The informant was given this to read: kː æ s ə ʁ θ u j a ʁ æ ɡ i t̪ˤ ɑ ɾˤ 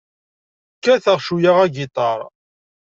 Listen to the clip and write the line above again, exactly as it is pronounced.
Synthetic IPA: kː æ θ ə ʁ ʃ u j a ʁ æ ɡ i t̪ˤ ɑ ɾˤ